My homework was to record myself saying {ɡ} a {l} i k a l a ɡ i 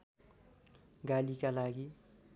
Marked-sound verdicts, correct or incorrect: correct, correct

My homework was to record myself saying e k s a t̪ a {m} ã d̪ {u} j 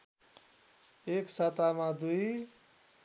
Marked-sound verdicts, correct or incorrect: correct, correct

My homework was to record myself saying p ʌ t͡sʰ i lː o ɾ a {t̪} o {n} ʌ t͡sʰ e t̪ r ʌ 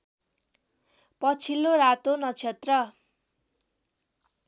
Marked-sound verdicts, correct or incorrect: correct, correct

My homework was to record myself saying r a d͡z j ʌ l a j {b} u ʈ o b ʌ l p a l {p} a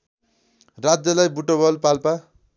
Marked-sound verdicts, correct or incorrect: correct, correct

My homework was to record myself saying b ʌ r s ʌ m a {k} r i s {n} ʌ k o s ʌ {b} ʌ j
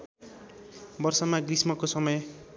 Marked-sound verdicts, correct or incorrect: incorrect, incorrect, incorrect

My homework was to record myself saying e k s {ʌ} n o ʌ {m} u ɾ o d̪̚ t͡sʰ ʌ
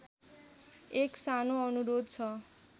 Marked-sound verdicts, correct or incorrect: incorrect, incorrect

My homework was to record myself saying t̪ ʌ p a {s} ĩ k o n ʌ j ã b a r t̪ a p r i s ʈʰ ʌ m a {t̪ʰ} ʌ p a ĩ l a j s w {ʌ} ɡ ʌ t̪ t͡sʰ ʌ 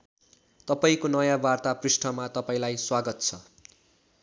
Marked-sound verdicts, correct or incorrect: incorrect, incorrect, incorrect

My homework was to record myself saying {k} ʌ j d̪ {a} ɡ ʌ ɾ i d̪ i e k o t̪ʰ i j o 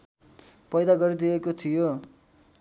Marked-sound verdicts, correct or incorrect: incorrect, correct

